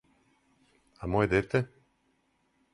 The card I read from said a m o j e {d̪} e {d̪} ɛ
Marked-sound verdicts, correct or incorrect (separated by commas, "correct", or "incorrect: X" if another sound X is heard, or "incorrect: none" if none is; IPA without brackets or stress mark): correct, incorrect: t̪